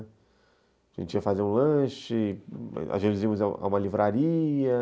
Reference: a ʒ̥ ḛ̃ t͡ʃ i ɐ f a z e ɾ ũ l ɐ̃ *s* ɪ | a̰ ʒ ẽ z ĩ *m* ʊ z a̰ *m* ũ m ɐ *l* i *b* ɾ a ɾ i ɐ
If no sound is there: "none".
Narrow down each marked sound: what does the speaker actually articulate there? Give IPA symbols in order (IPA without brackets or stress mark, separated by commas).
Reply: ʃ, m, none, l, v